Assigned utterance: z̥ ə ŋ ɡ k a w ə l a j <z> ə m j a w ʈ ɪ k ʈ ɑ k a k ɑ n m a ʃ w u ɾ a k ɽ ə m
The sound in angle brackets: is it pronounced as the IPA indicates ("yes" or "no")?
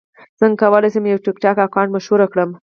no